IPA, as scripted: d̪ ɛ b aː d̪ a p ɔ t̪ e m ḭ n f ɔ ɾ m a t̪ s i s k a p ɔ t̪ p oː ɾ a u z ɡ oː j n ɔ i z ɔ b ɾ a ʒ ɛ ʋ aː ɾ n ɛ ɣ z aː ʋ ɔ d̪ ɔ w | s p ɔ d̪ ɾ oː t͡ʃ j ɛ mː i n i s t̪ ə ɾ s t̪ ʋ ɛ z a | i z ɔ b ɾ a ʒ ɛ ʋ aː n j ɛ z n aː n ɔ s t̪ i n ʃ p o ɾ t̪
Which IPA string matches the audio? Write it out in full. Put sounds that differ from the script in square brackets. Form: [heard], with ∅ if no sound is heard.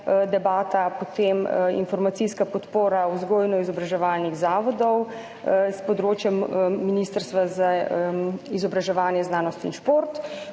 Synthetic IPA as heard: d̪ ɛ b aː [t̪] a p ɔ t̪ e m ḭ n f ɔ ɾ m a t̪ s i s k a p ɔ t̪ p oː ɾ a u z ɡ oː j n ɔ i z ɔ b ɾ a ʒ ɛ ʋ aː [l] n [i] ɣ z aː ʋ ɔ d̪ ɔ w | s p ɔ d̪ ɾ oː t͡ʃ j ɛ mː i n i s t̪ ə ɾ s t̪ ʋ [a] z a | i z ɔ b ɾ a ʒ ɛ ʋ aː n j ɛ z n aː n ɔ s t̪ i n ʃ p o ɾ t̪